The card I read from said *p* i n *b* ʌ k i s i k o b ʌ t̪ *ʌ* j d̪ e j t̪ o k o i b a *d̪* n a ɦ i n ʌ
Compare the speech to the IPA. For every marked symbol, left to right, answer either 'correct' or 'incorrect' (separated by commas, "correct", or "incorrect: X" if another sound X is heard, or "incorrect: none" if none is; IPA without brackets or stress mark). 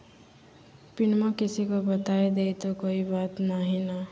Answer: correct, incorrect: m, incorrect: a, incorrect: t̪